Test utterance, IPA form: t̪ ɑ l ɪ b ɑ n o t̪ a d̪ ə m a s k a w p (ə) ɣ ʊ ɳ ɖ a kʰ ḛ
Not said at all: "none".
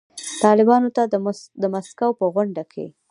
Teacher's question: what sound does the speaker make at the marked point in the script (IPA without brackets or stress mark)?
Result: ə